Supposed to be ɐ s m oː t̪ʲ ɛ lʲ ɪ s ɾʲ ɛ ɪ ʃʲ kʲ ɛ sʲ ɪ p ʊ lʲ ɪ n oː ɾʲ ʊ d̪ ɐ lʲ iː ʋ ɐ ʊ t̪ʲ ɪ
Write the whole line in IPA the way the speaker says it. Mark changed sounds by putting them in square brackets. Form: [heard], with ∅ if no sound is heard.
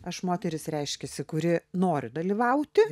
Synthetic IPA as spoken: ɐ [ʃ] m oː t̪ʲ ɛ [ɾʲ] ɪ s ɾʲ ɛ ɪ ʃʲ kʲ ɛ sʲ ɪ [k] ʊ [ɾʲ] ɪ n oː ɾʲ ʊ d̪ ɐ lʲ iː ʋ ɐ ʊ t̪ʲ ɪ